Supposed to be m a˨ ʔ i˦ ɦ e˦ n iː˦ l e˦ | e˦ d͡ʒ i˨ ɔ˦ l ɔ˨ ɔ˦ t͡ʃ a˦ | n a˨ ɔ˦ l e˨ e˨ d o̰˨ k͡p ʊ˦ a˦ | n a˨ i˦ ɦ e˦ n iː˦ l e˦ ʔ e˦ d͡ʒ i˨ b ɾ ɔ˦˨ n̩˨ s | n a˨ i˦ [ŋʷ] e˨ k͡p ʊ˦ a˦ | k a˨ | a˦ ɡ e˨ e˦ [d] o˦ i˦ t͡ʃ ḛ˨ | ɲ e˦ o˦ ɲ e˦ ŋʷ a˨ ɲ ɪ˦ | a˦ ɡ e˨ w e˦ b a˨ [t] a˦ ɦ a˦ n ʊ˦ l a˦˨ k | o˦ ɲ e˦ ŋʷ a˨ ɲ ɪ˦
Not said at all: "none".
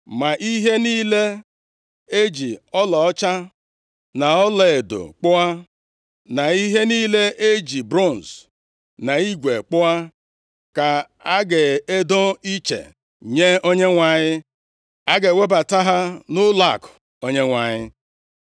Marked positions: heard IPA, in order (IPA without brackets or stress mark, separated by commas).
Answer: ɡʷ, d, t